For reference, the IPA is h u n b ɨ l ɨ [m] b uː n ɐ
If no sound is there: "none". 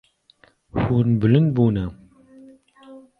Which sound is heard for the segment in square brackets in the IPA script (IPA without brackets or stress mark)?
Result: n